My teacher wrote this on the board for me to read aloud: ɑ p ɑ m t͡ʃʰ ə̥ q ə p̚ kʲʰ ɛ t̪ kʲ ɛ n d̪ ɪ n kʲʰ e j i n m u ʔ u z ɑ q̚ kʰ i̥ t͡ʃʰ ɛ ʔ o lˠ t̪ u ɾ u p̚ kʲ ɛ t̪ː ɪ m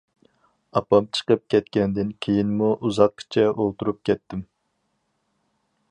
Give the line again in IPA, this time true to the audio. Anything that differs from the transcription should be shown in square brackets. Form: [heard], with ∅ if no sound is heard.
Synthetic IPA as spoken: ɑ p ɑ m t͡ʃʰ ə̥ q ə p̚ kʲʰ ɛ t̪ kʲ ɛ n d̪ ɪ n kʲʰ e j i n m u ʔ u z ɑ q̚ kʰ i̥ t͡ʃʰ ɛ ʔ o lˠ t̪ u ɾ u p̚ kʲ ɛ t̪ː ɪ m